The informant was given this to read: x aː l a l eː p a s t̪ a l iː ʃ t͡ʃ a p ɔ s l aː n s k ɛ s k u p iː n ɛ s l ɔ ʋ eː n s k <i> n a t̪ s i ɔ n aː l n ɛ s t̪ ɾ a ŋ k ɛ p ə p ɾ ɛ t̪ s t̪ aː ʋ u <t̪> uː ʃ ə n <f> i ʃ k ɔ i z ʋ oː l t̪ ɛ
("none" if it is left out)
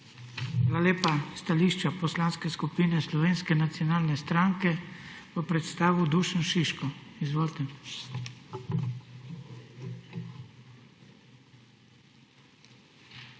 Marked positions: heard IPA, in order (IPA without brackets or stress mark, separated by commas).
ɛ, d̪, ʃ